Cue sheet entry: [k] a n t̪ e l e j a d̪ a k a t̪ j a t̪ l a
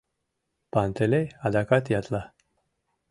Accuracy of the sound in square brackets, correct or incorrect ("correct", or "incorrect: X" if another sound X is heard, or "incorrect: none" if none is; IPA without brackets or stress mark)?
incorrect: p